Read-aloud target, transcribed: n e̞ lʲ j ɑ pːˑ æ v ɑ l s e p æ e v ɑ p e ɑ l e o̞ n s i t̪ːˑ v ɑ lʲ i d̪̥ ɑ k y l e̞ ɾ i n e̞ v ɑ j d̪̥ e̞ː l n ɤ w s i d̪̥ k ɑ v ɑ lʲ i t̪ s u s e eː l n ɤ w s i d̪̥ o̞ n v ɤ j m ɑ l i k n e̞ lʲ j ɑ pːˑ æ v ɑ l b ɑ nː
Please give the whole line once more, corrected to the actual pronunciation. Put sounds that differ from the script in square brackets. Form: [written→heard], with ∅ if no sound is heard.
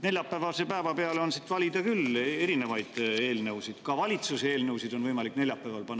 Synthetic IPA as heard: n e̞ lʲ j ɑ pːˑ æ v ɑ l s e p æ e v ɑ p e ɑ l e o̞ n s i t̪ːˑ v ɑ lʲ i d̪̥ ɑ k y l e̞ ɾ i n e̞ v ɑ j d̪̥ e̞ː l n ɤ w s i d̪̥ k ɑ v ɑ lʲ i t̪ s u s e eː l n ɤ w s i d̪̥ o̞ n v ɤ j m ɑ l i k n e̞ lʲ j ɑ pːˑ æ v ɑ l [b→p] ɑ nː